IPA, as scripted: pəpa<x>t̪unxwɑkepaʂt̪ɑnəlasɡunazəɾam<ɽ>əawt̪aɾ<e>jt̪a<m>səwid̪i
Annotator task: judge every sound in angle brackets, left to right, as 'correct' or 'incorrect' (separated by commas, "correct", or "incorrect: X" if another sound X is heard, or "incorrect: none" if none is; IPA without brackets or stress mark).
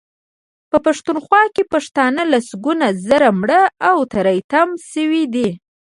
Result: incorrect: ʂ, correct, incorrect: a, correct